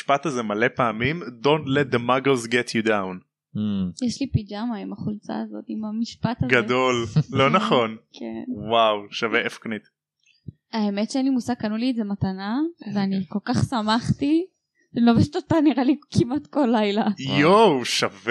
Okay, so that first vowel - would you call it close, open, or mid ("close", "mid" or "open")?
open